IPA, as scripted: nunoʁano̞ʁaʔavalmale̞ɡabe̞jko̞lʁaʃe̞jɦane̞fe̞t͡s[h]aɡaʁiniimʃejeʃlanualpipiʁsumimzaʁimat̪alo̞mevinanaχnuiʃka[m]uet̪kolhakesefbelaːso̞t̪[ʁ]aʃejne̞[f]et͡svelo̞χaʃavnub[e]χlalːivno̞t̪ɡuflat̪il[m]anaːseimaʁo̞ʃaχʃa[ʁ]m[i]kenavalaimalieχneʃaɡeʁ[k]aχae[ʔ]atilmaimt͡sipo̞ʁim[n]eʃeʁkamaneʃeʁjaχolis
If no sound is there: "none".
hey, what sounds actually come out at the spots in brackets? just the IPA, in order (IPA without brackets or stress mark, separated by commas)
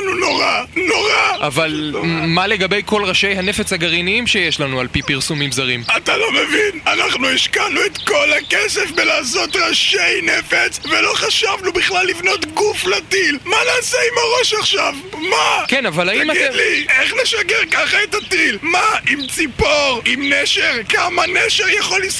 h, n, ʁ, f, i, m, v, a, k, t, n